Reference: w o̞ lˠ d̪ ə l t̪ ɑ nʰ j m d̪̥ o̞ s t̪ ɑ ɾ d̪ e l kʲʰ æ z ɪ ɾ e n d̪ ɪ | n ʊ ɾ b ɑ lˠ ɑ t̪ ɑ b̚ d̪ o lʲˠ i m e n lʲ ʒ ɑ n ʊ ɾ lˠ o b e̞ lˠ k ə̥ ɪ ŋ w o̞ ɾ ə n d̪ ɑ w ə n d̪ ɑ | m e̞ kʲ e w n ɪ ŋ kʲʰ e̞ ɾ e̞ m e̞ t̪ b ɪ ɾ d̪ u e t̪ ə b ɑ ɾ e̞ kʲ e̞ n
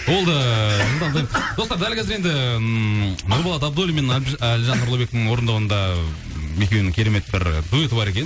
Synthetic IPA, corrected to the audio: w o̞ lˠ d̪ ə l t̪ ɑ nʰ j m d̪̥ o̞ s t̪ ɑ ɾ d̪ æ l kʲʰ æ z ɪ ɾ e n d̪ ɪ | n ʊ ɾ b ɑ lˠ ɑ t̪ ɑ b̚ d̪ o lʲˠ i m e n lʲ ʒ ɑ n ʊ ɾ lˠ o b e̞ k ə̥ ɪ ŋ w o̞ ɾ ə n d̪ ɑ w ə n d̪ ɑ | m e̞ kʲ e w n ɪ ŋ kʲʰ e̞ ɾ e̞ m e̞ t̪ b ɪ ɾ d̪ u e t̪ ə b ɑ ɾ e̞ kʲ e̞ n